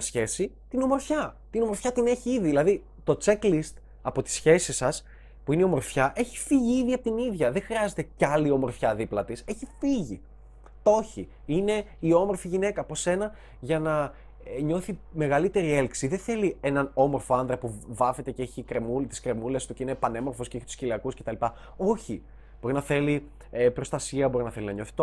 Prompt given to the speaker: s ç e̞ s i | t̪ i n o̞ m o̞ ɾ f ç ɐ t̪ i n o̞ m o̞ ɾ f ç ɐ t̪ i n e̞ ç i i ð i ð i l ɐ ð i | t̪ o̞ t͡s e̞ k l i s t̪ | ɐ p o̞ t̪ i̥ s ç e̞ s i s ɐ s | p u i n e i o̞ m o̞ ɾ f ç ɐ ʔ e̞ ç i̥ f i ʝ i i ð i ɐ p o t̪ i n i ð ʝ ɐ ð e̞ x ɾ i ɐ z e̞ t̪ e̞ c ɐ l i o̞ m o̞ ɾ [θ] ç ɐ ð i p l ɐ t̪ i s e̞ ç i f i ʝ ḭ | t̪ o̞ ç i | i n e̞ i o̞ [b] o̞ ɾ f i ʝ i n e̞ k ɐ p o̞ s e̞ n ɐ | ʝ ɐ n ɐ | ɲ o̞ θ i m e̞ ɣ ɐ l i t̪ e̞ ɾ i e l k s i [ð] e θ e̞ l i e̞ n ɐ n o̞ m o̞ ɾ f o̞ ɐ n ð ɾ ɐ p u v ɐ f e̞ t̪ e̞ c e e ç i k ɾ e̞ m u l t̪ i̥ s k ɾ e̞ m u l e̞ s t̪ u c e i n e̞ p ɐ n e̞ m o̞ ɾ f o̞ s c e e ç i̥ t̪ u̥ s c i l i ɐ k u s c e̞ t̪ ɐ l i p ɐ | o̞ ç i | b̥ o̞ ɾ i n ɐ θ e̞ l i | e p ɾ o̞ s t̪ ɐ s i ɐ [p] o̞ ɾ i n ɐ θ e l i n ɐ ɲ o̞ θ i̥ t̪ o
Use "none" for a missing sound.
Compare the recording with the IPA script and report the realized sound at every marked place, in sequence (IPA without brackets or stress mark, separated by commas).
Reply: f, m, ð, b